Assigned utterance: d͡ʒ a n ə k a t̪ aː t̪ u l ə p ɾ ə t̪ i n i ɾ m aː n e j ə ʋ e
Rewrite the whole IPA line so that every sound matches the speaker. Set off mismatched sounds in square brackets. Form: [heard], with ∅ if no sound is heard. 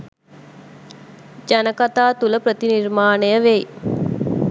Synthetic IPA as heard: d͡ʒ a n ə k a t̪ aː t̪ u l ə p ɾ ə t̪ i n i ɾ m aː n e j ə ʋ e